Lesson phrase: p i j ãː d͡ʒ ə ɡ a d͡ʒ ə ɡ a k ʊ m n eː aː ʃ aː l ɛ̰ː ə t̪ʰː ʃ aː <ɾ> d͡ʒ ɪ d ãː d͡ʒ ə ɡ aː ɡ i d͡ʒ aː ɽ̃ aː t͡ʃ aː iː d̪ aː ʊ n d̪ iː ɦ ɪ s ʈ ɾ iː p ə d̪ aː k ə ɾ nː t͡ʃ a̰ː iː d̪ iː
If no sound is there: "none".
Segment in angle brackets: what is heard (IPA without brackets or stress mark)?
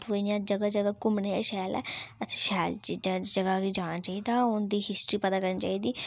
l